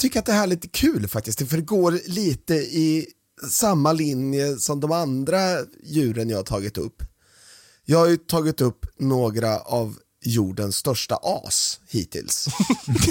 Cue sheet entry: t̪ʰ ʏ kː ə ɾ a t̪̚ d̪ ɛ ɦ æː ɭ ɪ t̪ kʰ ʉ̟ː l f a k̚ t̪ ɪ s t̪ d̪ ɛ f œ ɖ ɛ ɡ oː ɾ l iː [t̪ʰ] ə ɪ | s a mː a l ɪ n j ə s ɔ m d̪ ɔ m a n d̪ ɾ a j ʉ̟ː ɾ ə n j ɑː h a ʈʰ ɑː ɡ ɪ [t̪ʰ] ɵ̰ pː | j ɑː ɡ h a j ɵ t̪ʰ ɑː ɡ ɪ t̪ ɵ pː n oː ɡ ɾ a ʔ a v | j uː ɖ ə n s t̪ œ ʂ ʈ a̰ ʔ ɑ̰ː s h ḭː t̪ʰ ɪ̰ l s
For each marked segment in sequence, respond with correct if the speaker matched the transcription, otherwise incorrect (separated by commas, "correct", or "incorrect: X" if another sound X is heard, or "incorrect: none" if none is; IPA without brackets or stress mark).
incorrect: t̪, incorrect: t̪